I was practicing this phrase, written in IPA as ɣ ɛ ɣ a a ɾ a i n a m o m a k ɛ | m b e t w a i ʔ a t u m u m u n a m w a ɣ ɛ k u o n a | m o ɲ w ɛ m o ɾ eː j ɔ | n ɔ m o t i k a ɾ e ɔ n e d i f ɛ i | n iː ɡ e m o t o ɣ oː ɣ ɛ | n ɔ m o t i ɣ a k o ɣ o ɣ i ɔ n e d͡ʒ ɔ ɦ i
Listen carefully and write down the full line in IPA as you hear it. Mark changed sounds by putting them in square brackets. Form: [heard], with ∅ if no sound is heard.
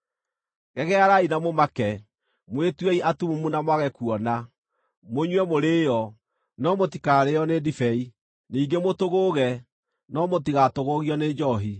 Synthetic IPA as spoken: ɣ ɛ ɣ [ɛ] a ɾ a i n a m o m a k ɛ | m [w] e t w [ɛ] i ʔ a t u m u m u n a m w a ɣ ɛ k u [ɔ] n a | m o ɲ w ɛ m o ɾ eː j ɔ | n ɔ m o t i k a ɾ e ɔ n e d i f ɛ i | n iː ɡ e m o t o ɣ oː ɣ ɛ | n ɔ m o t i ɣ a [t] o ɣ o ɣ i ɔ n e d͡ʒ ɔ ɦ i